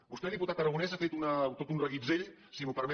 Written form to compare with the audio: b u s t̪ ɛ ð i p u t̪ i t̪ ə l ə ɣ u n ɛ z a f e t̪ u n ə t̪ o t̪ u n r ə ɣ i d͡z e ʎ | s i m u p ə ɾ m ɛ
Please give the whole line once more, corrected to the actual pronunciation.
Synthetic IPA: b u s t̪ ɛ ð i p u t̪ a t̪ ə ɾ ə ɣ u n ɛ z a f e t̪ u n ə t̪ o t̪ u n r ə ɣ i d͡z e ʎ | s i m u p ə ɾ m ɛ